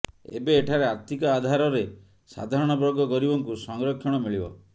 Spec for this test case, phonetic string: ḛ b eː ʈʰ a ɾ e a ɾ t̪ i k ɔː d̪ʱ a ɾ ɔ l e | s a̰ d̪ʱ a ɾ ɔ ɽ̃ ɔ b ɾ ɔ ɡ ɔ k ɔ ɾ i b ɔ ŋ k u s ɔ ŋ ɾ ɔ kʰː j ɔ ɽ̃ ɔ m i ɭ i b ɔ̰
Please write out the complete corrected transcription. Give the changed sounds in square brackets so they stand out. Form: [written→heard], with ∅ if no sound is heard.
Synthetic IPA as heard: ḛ b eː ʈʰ a ɾ e a ɾ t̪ i k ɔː d̪ʱ a ɾ ɔ [l→ɾ] e | s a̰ d̪ʱ a ɾ ɔ ɽ̃ ɔ b ɾ ɔ ɡ ɔ k ɔ ɾ i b ɔ ŋ k u s ɔ ŋ ɾ ɔ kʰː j ɔ ɽ̃ ɔ m i ɭ i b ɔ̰